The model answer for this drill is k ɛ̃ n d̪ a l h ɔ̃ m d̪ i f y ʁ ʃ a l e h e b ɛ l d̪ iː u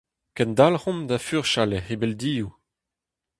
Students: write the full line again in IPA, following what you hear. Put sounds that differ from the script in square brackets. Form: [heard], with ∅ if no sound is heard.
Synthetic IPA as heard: k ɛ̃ n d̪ a l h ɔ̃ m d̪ [a] f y ʁ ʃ a l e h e b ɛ l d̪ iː u